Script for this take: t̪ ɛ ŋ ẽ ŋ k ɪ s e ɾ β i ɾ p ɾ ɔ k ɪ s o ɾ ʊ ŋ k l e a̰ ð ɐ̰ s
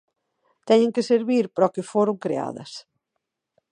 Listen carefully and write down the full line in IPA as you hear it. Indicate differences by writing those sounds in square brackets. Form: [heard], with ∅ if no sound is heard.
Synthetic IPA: t̪ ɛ [ɲ] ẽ ŋ k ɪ s e ɾ β i ɾ p ɾ ɔ k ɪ [f] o ɾ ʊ ŋ k [ɾ] e a̰ ð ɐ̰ s